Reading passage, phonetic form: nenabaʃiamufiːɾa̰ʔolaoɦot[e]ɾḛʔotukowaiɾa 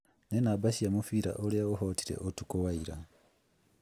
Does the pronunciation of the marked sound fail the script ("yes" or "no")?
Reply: yes